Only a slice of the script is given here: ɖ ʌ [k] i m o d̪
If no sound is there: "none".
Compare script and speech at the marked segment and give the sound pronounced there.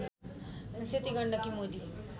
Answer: k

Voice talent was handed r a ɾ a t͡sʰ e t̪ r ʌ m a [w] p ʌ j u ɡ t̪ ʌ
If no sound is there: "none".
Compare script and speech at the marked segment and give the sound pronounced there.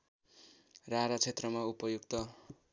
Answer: u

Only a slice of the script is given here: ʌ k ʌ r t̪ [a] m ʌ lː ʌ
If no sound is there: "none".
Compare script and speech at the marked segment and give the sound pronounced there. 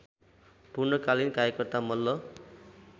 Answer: a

